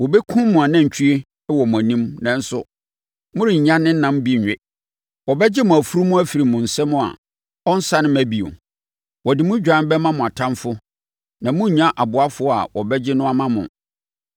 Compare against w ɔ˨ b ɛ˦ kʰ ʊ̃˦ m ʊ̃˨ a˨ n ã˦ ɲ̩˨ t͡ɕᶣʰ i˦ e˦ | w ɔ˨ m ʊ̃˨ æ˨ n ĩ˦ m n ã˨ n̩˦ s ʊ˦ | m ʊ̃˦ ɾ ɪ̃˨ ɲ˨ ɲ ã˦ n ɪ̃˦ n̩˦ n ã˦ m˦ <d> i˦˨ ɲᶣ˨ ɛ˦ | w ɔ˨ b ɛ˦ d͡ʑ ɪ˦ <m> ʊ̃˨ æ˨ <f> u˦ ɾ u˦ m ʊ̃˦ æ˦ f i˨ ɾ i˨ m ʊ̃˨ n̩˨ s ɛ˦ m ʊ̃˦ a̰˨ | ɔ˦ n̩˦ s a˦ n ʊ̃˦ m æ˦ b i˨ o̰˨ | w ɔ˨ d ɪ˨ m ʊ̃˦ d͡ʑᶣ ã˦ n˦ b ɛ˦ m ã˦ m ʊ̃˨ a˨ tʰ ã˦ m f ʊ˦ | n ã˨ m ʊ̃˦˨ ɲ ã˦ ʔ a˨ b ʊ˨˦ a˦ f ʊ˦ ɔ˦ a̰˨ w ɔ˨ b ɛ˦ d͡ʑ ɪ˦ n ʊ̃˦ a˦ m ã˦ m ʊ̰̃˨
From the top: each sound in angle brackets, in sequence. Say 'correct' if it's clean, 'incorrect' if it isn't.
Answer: incorrect: b, correct, correct

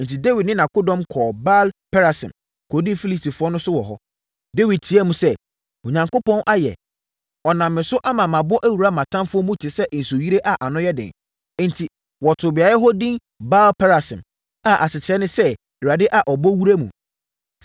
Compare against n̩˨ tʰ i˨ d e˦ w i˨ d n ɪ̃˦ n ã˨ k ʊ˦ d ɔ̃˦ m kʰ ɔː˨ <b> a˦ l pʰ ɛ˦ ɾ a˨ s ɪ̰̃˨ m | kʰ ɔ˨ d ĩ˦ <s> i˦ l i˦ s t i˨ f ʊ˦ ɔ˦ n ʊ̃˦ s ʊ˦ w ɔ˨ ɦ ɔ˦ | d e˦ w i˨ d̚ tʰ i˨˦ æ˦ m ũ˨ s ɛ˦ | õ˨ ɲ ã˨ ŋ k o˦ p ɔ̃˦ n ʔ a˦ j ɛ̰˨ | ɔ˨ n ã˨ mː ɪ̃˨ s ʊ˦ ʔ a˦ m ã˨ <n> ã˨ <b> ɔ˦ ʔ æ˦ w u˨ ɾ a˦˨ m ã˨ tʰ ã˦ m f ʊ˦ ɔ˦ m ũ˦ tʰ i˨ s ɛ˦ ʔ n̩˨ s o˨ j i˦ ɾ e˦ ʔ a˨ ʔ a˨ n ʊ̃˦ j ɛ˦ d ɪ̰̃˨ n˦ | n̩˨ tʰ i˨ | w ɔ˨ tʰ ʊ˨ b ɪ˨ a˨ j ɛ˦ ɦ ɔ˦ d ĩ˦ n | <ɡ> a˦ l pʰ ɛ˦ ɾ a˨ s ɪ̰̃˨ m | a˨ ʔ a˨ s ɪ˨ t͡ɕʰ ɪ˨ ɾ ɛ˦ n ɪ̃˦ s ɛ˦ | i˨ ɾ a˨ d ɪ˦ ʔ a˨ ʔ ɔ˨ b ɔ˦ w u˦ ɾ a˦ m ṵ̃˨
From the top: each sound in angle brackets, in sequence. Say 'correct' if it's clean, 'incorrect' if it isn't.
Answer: correct, incorrect: f, incorrect: m, correct, incorrect: b

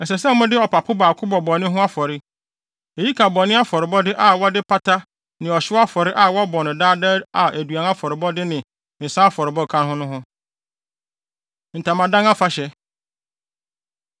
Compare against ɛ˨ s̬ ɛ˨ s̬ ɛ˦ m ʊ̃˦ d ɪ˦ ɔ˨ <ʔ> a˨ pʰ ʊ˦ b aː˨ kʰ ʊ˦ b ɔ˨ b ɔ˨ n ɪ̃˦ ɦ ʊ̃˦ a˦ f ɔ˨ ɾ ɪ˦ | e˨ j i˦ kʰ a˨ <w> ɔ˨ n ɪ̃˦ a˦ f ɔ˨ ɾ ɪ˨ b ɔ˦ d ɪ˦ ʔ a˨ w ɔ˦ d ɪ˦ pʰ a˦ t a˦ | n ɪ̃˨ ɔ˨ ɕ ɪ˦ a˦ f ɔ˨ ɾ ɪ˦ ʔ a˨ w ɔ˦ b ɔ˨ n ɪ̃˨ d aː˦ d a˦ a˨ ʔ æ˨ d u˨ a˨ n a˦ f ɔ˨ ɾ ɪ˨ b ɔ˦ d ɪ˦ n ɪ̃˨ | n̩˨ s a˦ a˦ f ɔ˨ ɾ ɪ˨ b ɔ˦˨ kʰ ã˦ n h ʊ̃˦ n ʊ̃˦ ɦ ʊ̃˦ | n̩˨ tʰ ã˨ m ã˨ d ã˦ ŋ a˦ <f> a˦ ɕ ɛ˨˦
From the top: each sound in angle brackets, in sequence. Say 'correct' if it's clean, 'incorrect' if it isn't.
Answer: incorrect: p, incorrect: b, correct

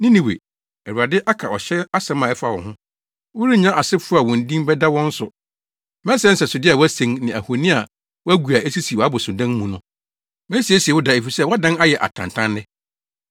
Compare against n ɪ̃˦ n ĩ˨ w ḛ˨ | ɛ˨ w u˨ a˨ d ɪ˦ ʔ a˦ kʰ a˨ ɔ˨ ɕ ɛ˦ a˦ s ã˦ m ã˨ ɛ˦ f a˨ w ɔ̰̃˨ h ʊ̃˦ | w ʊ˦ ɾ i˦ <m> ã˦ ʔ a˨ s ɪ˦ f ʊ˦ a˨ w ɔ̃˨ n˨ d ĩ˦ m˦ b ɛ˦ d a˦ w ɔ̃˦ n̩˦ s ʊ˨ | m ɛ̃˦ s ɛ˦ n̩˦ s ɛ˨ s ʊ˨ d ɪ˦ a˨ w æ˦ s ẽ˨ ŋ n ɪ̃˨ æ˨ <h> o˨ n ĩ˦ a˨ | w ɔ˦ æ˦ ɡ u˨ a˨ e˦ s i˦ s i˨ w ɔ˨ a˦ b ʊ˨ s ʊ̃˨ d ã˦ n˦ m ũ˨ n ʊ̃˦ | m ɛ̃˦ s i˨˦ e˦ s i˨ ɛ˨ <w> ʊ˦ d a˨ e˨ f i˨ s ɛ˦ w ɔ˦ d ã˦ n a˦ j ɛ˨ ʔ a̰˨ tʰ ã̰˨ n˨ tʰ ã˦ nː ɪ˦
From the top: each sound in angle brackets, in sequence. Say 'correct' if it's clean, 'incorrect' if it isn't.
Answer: incorrect: ɲ, correct, correct

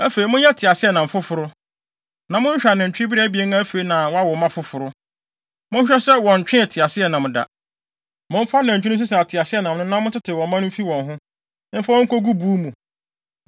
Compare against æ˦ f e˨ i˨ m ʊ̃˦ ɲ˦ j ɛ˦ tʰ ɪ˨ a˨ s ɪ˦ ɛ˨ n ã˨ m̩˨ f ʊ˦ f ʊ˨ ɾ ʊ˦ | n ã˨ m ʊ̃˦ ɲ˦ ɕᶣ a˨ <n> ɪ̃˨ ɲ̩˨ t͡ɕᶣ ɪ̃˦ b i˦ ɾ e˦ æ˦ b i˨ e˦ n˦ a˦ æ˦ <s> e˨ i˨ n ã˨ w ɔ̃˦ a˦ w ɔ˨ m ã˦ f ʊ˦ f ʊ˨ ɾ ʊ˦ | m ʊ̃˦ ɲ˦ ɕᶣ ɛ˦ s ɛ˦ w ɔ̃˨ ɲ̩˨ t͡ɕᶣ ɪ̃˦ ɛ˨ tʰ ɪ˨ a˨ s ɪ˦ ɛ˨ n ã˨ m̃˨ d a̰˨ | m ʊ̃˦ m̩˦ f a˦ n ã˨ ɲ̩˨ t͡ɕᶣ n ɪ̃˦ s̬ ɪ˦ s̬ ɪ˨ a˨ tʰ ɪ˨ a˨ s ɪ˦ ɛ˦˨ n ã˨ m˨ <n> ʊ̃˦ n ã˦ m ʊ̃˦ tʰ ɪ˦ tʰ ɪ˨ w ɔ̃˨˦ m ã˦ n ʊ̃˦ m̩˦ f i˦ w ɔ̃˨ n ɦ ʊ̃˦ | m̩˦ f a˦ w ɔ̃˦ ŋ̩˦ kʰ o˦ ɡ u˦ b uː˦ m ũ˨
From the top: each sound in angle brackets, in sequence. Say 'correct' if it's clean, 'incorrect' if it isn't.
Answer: correct, incorrect: f, correct

